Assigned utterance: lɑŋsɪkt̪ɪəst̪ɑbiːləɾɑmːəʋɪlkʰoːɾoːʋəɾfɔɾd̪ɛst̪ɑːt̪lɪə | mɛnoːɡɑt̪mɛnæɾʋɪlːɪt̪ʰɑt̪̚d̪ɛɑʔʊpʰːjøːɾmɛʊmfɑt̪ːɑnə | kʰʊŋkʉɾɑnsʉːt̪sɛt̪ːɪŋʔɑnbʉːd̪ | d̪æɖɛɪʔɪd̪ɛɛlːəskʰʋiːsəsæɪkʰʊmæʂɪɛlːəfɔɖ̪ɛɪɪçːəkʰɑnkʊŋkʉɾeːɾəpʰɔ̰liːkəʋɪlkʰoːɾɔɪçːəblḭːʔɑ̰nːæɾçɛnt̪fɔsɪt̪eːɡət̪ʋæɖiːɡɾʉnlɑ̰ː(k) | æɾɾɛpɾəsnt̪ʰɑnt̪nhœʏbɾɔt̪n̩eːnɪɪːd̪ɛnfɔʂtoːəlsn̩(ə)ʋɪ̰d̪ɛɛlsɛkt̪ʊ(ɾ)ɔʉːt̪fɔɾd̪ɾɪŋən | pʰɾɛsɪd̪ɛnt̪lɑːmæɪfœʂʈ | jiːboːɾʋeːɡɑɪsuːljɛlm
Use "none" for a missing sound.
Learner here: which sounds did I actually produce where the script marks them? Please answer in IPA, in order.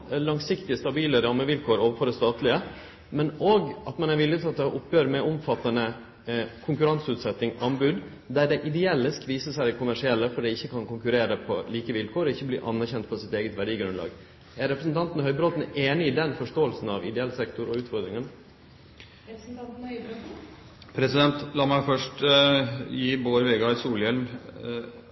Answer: ɡ, ɑ, ɾ

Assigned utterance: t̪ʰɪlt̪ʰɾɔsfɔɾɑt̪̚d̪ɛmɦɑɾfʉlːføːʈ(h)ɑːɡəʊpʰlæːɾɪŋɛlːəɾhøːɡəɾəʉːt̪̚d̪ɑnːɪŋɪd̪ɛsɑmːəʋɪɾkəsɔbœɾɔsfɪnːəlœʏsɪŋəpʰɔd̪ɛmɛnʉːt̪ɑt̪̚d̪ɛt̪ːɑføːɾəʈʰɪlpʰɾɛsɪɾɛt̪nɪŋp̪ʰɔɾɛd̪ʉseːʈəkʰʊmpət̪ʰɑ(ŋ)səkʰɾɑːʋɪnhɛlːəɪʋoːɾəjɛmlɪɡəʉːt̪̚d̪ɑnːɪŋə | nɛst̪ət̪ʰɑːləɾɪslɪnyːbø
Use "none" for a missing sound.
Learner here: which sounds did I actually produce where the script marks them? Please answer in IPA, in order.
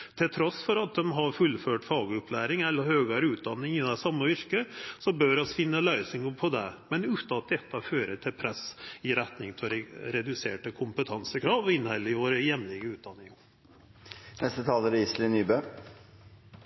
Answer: f, n

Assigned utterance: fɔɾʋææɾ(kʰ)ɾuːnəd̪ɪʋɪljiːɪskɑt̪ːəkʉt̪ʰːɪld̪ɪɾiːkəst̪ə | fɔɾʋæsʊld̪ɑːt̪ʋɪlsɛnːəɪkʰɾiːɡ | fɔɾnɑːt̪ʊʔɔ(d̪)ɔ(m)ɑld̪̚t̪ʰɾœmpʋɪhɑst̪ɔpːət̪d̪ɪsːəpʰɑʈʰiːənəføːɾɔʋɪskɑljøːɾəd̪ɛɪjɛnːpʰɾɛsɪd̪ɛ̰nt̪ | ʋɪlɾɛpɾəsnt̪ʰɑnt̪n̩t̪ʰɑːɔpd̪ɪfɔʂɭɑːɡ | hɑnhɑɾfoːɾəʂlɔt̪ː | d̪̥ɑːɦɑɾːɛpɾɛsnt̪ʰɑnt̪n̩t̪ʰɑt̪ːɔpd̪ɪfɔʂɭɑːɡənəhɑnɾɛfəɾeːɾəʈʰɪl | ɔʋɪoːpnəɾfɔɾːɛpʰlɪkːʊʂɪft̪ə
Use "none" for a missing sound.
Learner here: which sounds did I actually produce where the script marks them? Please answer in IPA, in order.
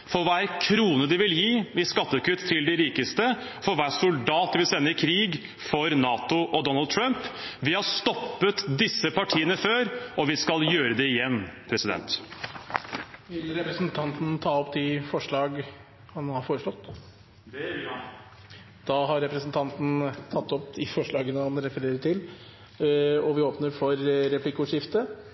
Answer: kʰ, d̪, n

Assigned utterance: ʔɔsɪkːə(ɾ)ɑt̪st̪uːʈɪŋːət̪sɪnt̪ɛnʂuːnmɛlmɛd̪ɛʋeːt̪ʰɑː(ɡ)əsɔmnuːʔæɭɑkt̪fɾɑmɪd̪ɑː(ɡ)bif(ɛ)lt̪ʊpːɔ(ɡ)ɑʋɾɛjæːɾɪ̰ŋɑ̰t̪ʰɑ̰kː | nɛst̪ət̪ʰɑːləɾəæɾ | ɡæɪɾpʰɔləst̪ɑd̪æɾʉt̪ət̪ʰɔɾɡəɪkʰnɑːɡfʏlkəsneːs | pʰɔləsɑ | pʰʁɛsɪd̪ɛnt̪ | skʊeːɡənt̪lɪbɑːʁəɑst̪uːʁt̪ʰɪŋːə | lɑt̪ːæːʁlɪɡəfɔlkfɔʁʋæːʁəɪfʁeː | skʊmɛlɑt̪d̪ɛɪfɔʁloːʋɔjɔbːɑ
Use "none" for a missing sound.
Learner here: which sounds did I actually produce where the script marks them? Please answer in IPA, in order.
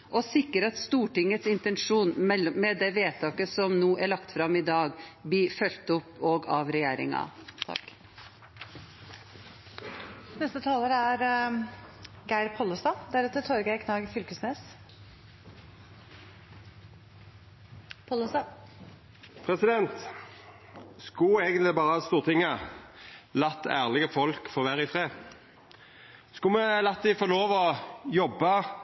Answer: ɾ, k, ɡ, œ, ɡ

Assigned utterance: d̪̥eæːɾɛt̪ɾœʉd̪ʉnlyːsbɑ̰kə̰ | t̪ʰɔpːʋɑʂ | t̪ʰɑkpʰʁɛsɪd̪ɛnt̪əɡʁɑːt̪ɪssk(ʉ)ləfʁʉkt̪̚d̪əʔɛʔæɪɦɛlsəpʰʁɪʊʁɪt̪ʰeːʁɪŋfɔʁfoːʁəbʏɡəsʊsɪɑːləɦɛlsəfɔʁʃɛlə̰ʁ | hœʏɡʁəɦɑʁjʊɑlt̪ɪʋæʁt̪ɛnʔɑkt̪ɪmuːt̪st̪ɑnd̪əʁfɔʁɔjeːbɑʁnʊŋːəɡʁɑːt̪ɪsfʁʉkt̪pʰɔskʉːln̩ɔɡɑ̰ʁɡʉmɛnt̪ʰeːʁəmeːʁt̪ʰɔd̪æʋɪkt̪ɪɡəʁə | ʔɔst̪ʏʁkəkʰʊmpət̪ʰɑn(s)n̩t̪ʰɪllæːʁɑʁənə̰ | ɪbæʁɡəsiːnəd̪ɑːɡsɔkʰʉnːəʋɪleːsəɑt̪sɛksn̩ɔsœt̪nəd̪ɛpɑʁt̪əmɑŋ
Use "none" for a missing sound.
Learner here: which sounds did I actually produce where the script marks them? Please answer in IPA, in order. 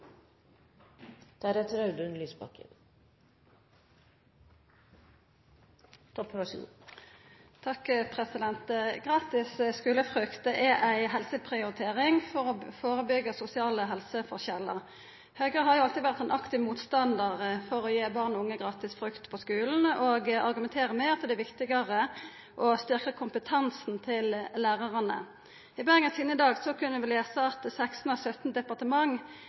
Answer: ʉː, s

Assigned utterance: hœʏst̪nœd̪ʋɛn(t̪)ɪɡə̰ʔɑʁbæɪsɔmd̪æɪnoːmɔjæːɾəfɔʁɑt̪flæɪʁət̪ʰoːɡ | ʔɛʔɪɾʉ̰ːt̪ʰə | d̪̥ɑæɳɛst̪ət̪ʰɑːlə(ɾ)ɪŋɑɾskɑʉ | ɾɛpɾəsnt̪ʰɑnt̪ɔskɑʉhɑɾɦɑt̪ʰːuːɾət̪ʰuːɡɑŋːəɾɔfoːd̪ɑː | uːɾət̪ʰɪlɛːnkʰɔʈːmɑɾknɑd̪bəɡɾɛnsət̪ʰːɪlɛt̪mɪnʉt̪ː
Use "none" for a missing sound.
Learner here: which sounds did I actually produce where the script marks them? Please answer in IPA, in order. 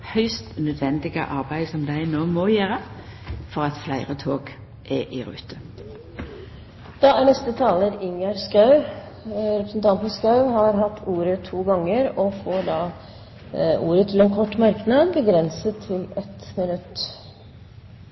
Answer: d̪, ɾ

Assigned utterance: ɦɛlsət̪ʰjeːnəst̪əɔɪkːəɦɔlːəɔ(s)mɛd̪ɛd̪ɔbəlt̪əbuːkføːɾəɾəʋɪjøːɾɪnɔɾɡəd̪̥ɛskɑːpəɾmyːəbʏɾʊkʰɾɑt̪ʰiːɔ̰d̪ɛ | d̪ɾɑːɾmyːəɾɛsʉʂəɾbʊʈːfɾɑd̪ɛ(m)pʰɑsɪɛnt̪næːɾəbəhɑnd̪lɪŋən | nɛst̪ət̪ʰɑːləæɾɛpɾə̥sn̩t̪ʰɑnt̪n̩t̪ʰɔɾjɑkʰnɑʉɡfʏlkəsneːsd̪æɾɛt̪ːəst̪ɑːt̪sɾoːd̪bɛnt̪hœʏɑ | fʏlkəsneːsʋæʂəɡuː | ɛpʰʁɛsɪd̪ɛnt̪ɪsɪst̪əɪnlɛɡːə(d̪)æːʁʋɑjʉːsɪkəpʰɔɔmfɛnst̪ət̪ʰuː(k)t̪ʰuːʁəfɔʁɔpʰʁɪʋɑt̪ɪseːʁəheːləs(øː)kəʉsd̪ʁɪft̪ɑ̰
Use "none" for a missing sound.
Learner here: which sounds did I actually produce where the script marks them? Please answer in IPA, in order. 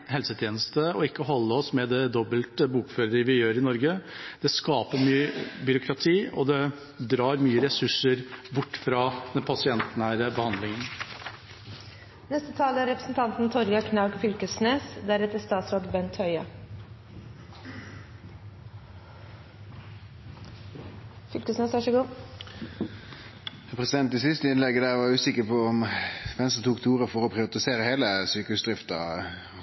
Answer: s, n, d̪, k, yː

